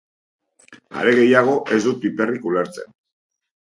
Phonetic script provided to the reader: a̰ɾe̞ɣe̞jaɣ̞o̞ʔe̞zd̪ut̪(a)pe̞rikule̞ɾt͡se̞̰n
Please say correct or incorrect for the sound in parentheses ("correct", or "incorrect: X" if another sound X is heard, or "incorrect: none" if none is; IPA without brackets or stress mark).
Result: incorrect: i